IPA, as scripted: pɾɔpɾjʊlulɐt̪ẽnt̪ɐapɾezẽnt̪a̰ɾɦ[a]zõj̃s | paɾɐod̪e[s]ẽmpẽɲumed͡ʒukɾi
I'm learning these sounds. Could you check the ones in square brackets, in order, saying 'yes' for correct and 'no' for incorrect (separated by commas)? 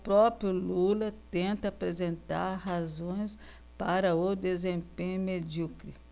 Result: yes, no